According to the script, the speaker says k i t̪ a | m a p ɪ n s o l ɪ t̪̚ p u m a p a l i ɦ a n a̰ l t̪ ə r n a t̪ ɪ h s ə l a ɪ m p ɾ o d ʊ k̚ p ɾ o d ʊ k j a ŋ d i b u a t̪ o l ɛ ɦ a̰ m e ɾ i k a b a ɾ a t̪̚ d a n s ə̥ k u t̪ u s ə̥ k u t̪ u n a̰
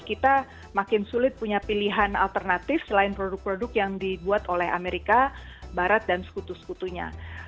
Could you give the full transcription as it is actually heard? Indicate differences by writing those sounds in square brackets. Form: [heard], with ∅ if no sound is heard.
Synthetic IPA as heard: k i t̪ a | m a [k] ɪ n s [u] l ɪ t̪̚ p u [ɲ] a p [i] l i ɦ a n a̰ l t̪ ə r n a t̪ ɪ [f] s ə l a ɪ [n] p ɾ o d ʊ k̚ p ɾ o d ʊ k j a ŋ d i b u a t̪ o l ɛ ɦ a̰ m e ɾ i k a b a ɾ a t̪̚ d a n s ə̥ k u t̪ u s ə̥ k u t̪ u [ɲ] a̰